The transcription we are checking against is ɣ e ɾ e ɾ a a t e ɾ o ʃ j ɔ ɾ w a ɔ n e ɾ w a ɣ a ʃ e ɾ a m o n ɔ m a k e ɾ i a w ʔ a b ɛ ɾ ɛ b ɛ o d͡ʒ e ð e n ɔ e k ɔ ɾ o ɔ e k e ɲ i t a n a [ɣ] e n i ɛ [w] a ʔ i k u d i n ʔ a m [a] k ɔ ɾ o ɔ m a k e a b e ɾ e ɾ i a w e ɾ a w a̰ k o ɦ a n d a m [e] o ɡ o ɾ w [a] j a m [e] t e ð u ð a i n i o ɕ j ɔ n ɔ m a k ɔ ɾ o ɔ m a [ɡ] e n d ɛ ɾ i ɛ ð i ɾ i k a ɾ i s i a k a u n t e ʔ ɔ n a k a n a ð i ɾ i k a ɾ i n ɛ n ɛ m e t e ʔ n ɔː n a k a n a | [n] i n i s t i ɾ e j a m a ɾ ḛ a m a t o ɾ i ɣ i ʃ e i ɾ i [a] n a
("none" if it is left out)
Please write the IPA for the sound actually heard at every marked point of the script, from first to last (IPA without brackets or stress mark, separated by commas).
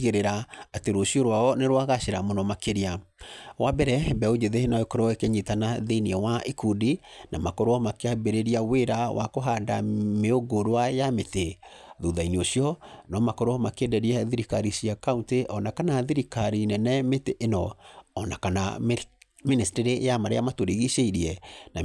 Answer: ð, w, a, e, a, e, k, m, ɛ